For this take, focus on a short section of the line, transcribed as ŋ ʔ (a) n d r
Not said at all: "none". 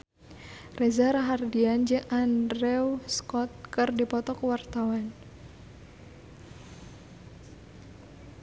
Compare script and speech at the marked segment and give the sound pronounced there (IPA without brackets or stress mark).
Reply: a